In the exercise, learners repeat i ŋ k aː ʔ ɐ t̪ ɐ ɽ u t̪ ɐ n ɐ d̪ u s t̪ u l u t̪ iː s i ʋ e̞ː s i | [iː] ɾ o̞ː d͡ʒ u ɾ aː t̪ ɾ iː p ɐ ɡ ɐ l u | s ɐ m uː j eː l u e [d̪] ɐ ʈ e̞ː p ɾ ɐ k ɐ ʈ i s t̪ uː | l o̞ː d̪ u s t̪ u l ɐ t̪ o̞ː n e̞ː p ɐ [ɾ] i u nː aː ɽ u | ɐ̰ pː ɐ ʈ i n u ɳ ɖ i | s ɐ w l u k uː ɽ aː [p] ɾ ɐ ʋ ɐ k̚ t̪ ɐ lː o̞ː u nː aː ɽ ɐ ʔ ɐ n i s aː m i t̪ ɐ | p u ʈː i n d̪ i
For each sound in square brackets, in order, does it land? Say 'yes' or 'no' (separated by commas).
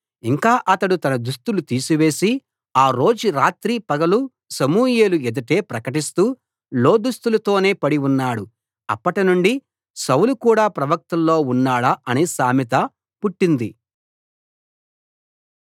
no, yes, no, yes